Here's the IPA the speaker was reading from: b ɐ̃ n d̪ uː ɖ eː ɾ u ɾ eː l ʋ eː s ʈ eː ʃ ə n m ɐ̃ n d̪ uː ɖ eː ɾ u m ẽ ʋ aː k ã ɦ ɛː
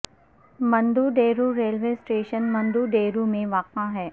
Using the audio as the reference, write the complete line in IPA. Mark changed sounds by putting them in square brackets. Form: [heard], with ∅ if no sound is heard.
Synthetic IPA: [m] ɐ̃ n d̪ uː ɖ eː ɾ u ɾ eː l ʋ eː s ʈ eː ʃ ə n m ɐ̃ n d̪ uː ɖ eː ɾ u m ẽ ʋ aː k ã ɦ ɛː